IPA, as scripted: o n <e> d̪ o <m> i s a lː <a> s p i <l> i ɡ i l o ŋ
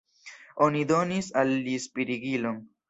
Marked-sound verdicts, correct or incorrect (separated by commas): incorrect, incorrect, incorrect, incorrect